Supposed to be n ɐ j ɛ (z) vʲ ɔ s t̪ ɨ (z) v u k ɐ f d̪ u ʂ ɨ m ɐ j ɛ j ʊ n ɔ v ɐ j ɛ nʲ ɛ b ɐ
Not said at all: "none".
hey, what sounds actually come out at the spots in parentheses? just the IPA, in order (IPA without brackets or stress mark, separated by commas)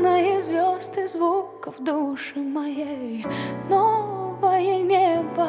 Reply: z, z